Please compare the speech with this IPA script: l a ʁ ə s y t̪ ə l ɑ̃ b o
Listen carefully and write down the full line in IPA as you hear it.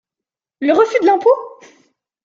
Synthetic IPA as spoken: l ə ʁ ə f y d̪ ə l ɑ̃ p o